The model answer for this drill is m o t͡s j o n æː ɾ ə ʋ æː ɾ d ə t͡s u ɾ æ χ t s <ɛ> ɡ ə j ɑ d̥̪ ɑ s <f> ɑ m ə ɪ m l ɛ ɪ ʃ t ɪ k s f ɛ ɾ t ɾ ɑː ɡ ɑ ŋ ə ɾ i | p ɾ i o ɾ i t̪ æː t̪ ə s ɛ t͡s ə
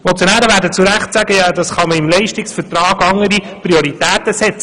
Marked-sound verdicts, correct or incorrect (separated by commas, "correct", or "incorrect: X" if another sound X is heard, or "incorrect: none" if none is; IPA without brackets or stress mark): incorrect: æ, incorrect: χ